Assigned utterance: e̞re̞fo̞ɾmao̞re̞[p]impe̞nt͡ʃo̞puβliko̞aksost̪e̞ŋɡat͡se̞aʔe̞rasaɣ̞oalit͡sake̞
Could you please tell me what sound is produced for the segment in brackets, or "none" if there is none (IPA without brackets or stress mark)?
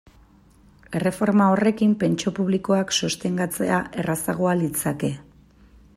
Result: k